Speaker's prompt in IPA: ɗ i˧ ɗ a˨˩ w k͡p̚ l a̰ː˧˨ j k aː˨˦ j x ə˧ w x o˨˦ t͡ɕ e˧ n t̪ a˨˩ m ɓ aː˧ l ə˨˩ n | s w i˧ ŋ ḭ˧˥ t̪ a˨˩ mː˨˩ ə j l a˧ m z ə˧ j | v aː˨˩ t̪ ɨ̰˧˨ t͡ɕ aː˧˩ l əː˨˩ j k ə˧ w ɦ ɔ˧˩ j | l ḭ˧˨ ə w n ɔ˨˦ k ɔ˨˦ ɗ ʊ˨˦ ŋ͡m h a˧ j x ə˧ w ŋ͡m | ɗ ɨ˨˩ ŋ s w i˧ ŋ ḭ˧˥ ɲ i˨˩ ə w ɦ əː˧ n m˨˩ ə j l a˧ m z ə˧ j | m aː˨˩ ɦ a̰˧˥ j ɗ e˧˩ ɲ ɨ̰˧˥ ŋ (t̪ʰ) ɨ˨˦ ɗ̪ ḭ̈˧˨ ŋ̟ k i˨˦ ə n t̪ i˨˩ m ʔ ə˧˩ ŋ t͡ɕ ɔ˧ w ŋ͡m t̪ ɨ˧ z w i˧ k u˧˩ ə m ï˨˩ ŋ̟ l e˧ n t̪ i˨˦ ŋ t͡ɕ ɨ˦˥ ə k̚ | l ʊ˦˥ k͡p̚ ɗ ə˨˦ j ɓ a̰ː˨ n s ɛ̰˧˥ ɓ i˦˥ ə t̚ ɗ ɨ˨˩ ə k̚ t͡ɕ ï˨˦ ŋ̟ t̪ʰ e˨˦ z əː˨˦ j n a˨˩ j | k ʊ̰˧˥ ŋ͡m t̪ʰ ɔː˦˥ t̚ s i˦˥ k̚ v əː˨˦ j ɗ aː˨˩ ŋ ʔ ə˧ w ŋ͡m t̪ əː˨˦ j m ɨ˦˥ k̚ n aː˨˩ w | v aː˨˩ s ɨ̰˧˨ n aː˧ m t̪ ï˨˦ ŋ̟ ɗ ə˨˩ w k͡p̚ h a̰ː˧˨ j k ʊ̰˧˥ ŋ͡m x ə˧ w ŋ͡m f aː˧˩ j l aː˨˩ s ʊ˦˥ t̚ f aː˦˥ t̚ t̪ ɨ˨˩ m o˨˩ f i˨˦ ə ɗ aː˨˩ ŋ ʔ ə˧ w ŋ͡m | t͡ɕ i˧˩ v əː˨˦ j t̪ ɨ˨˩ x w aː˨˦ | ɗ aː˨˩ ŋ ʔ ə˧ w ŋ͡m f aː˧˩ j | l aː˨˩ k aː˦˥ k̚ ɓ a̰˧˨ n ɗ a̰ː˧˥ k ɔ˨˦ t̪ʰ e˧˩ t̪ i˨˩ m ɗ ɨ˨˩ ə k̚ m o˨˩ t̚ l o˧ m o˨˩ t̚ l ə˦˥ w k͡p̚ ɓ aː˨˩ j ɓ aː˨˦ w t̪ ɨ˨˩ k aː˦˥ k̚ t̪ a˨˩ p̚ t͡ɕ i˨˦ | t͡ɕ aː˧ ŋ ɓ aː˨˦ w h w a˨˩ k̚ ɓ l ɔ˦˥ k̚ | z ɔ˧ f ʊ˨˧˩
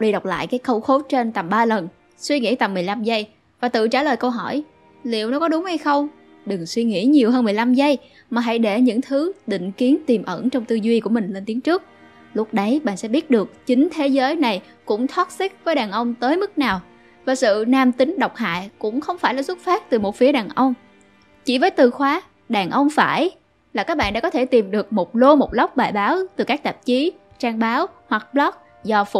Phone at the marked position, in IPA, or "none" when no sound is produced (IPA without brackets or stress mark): t̪ʰ